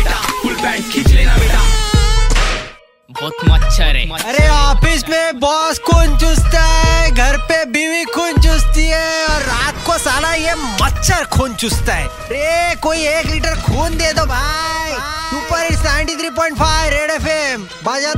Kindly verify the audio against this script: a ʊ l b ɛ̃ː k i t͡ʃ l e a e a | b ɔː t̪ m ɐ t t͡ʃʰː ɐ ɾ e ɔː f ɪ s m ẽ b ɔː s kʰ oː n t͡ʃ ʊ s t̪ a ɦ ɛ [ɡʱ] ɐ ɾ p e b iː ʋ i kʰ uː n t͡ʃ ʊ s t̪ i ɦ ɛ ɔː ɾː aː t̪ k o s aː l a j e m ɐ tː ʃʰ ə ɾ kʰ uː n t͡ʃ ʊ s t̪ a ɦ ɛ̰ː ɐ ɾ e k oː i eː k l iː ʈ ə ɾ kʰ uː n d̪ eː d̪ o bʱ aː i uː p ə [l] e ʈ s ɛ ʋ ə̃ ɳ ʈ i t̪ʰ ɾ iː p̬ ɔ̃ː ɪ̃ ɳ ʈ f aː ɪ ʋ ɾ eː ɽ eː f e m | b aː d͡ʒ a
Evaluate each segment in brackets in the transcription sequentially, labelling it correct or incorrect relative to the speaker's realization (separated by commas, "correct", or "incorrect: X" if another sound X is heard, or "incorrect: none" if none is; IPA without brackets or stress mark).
correct, incorrect: ɾ